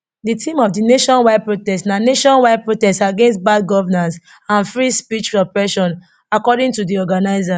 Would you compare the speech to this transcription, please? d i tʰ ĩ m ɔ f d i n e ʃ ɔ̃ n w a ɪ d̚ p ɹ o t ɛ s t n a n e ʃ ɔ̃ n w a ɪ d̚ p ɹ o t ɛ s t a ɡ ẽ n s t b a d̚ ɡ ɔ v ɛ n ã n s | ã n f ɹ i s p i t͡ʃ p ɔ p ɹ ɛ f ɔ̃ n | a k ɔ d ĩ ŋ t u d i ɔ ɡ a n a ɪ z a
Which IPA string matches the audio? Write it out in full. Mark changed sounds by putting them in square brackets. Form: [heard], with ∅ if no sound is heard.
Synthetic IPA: d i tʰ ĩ m ɔ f d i n e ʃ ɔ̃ n w a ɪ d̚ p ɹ o t ɛ s t n a n e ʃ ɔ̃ n w a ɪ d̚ p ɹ o t ɛ s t a ɡ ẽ n s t b a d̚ ɡ ɔ v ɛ n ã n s | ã n f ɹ i s p i t͡ʃ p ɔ p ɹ ɛ [ʃ] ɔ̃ n | a k ɔ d ĩ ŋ t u d i ɔ ɡ a n a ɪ z a